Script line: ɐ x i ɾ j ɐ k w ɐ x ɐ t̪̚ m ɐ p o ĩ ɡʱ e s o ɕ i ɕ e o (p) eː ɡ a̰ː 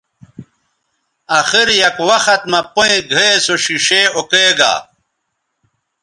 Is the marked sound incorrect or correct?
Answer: incorrect